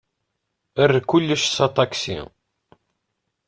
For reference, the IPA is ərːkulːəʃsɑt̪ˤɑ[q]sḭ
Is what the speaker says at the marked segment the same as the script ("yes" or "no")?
no